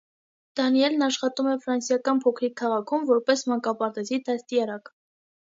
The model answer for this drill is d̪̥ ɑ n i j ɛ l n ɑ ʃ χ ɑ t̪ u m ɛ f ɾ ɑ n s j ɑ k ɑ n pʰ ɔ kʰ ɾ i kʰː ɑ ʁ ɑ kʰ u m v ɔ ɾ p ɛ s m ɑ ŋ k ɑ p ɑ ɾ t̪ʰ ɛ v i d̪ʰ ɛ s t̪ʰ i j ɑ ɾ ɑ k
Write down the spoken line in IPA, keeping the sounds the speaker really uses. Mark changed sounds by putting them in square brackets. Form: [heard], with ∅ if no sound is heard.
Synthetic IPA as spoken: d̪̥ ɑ n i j ɛ l n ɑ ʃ χ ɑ t̪ u m ɛ f ɾ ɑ n s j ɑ k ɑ n pʰ ɔ kʰ ɾ i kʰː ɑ ʁ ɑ kʰ u m v ɔ ɾ p ɛ s m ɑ ŋ k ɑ p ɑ ɾ [t̪] ɛ [z] i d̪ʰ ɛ s [t̪] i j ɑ ɾ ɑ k